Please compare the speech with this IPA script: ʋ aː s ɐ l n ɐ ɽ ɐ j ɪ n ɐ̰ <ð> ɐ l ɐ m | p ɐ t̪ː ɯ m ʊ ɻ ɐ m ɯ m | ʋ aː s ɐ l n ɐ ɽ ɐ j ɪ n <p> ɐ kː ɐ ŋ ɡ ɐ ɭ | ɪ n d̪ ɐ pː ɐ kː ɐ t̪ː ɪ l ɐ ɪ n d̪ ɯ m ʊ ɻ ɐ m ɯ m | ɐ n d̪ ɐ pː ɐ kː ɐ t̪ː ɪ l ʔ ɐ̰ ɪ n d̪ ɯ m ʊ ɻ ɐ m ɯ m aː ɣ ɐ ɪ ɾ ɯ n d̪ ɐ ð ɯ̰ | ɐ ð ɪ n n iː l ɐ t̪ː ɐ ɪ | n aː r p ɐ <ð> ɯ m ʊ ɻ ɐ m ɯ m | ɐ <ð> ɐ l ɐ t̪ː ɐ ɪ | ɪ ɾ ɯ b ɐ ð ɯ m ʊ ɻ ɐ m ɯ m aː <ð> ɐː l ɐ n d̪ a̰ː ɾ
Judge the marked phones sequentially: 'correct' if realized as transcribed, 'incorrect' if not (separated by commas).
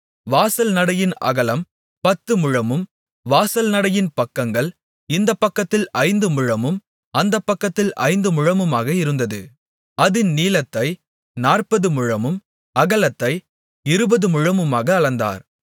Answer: incorrect, correct, correct, incorrect, incorrect